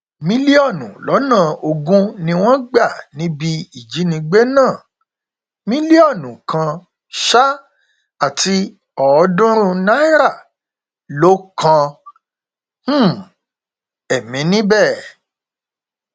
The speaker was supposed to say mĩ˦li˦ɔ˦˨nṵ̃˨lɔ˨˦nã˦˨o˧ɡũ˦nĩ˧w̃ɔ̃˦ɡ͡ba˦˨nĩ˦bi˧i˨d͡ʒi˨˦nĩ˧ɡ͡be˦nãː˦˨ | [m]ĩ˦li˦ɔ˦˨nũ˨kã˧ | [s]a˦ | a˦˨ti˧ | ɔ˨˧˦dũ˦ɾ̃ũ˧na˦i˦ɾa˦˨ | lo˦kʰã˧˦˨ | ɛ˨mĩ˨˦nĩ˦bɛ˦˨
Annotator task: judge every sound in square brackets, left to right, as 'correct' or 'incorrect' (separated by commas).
correct, incorrect